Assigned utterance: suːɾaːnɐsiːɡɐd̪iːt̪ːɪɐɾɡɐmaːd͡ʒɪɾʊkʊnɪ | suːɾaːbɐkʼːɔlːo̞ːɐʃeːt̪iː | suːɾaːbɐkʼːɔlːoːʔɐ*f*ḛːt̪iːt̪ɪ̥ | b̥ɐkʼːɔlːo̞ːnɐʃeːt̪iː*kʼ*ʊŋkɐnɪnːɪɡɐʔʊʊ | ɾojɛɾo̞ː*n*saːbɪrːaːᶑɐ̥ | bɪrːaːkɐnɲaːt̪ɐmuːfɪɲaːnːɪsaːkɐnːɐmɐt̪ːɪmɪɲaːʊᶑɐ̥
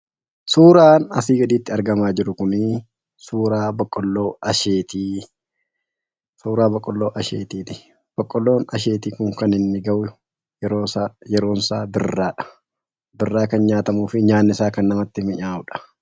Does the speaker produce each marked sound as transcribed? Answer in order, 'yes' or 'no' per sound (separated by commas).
no, no, yes